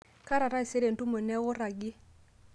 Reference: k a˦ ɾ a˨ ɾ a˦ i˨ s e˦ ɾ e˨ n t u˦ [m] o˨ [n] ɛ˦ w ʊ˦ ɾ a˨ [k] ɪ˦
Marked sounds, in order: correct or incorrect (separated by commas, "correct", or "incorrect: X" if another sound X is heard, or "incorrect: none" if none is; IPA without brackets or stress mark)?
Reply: correct, correct, incorrect: ɡ